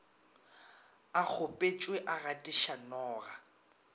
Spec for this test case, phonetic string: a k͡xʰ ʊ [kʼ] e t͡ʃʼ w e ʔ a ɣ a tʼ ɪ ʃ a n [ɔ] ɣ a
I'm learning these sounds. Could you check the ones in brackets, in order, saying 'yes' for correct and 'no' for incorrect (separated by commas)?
no, no